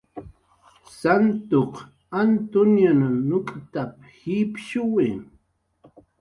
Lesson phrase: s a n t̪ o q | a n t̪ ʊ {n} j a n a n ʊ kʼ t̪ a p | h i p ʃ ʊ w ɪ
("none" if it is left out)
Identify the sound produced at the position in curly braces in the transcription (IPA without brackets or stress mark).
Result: n